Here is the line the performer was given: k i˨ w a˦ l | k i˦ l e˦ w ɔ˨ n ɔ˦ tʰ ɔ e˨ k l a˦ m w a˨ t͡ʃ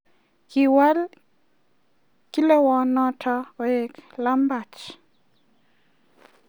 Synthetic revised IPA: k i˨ w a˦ l | k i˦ l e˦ w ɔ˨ n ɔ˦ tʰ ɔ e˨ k l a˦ m b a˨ t͡ʃ